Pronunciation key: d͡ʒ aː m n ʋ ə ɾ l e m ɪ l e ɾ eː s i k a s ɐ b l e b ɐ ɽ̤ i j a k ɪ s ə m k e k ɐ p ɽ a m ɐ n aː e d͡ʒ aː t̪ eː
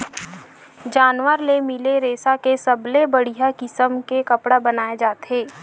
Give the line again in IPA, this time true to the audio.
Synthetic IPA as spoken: d͡ʒ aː n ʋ ə ɾ l e m ɪ l e ɾ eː s a k e s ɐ b l e b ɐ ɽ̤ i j a k ɪ s ə m k e k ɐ p ɽ a b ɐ n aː e d͡ʒ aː t̪ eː